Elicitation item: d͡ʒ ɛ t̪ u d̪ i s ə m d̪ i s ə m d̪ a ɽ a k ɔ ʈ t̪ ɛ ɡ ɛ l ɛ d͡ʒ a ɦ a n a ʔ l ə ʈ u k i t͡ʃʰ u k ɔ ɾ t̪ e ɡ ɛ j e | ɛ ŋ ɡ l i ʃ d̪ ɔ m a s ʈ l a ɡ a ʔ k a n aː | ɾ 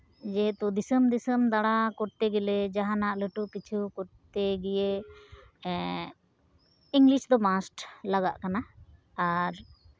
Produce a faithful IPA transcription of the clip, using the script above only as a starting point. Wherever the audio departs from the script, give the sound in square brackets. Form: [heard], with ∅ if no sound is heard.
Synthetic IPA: d͡ʒ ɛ t̪ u d̪ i s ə m d̪ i s ə m d̪ a ɽ a k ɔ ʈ t̪ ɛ ɡ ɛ l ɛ d͡ʒ a ɦ a n a ʔ l ə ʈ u k i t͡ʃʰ u k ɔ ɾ t̪ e ɡ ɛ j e | [i] ŋ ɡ l i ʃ d̪ ɔ m a s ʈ l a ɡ a ʔ k a n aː | ɾ